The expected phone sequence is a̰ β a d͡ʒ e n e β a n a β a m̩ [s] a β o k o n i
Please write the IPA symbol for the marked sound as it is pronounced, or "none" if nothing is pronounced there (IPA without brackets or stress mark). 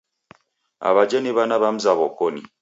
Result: z